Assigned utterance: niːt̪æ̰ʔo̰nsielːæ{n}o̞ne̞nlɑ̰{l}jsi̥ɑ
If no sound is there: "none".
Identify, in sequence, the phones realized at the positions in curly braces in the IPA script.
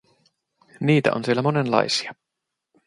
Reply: m, none

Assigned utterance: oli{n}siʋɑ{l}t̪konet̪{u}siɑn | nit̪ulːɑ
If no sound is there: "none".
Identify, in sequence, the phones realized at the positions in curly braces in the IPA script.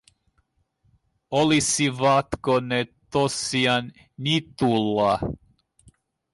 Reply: none, none, o

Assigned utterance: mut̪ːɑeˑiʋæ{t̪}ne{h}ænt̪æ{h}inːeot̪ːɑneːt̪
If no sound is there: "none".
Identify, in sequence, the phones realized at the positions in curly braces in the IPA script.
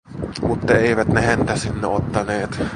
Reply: t̪, h, s

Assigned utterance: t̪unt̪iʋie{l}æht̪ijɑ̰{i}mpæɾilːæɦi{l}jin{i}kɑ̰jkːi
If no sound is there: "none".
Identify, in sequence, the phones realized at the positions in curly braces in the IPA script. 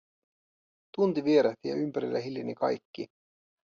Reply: ɾ, y, l, i

